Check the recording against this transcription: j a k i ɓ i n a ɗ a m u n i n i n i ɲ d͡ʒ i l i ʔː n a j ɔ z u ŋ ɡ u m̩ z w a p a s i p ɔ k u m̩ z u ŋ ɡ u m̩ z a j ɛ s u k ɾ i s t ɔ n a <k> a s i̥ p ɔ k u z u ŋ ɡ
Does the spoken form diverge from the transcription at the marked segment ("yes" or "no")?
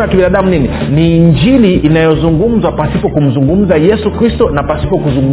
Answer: yes